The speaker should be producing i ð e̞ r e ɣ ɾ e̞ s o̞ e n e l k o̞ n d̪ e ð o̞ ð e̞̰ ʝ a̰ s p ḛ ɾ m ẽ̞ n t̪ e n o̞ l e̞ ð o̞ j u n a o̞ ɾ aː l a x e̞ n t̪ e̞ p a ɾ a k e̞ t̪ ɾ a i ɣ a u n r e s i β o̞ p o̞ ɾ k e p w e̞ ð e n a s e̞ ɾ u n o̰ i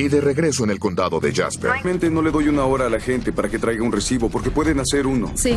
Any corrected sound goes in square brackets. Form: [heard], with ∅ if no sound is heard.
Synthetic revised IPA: i ð e̞ r e ɣ ɾ e̞ s o̞ e n e l k o̞ n d̪ [a] ð o̞ ð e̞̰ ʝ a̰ s p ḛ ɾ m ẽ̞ n t̪ e n o̞ l e̞ ð o̞ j u n a o̞ ɾ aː l a x e̞ n t̪ e̞ p a ɾ a k e̞ t̪ ɾ a [j] ɣ a u n r e s i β o̞ p o̞ ɾ k e p w e̞ ð e n a s e̞ ɾ u n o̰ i